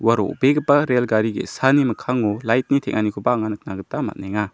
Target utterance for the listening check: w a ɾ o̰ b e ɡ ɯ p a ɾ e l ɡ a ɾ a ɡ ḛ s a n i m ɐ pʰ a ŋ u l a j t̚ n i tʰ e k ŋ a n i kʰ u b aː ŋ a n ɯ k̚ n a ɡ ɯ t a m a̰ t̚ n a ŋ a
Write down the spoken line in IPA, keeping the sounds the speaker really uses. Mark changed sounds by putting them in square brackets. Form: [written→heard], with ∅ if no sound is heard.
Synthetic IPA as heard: w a ɾ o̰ b e ɡ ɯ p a ɾ e l ɡ a ɾ [a→i] ɡ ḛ s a n i m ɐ [pʰ→kʰ] a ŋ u l a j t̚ n i tʰ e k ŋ a n i kʰ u b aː ŋ a n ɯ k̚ n a ɡ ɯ t a m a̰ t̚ n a ŋ a